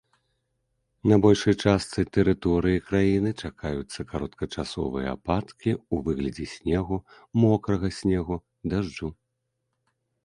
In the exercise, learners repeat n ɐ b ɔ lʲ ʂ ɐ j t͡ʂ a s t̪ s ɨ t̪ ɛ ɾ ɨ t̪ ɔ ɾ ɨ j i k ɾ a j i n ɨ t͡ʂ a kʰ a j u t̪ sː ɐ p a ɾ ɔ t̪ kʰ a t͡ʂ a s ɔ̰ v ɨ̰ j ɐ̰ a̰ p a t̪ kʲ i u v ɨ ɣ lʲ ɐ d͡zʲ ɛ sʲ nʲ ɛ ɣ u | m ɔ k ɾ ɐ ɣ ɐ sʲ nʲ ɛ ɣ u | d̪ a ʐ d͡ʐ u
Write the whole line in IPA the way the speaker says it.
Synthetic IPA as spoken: n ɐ b ɔ lʲ ʂ ɐ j t͡ʂ a s t̪ s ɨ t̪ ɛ ɾ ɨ t̪ ɔ ɾ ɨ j i k ɾ a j i n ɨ t͡ʂ a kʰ a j u t̪ sː ɐ k a ɾ ɔ t̪ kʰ ɐ t͡ʂ a s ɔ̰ v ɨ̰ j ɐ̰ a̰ p a t̪ kʲ i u v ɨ ɣ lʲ ɐ d͡zʲ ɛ sʲ nʲ ɛ ɣ u | m ɔ k ɾ ɐ ɣ ɐ sʲ nʲ ɛ ɣ u | d̪ a ʐ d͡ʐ u